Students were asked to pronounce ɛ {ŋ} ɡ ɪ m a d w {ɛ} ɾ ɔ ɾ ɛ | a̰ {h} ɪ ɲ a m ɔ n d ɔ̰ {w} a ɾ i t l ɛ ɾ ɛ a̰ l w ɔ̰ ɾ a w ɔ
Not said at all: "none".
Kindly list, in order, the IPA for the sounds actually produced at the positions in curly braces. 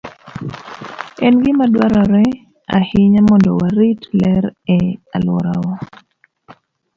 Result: n, a, h, w

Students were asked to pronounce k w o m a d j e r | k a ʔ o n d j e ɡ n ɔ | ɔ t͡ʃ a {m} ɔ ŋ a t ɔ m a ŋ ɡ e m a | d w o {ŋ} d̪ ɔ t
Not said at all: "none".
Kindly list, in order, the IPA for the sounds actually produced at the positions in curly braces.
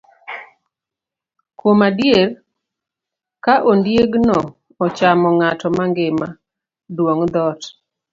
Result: m, ŋ

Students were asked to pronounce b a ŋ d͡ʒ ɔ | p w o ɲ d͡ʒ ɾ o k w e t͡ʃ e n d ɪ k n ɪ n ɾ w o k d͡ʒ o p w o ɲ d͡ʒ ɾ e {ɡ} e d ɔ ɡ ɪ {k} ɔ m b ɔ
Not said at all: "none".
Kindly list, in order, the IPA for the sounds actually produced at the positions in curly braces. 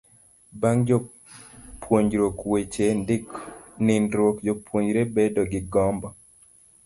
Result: b, ɡ

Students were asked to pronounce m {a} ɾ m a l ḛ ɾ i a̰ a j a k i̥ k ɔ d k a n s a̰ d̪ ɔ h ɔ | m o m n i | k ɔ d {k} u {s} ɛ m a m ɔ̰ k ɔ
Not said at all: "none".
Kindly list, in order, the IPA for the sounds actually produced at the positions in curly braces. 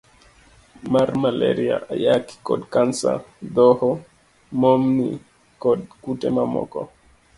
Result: a, k, t

